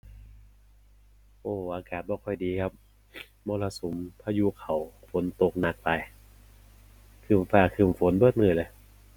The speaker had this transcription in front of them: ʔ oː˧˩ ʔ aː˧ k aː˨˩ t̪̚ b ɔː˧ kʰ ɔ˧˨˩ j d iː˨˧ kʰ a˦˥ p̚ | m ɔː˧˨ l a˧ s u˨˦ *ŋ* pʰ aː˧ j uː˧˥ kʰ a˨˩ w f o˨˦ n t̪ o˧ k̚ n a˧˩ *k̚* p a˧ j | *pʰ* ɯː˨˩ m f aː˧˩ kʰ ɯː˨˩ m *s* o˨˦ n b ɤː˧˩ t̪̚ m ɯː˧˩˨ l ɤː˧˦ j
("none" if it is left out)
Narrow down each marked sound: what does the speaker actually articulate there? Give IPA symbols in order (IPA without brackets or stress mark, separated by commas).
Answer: m, k̚, kʰ, f